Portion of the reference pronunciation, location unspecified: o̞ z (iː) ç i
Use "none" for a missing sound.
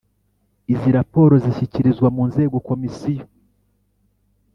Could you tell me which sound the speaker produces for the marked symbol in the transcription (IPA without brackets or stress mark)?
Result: i